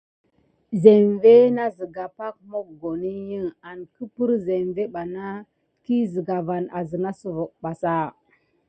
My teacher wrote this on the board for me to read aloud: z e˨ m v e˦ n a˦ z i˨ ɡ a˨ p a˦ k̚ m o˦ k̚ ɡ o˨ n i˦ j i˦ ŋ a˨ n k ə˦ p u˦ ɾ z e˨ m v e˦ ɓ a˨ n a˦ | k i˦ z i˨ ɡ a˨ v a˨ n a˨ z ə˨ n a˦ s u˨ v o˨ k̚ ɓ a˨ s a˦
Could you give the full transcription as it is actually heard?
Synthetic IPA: z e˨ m v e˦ n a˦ z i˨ ɡ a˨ p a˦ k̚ m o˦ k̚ ɡ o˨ n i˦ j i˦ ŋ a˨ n k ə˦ p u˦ ɾ z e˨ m v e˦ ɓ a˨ n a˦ | k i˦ z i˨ ɡ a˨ v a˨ n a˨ z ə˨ n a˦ s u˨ v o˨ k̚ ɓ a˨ s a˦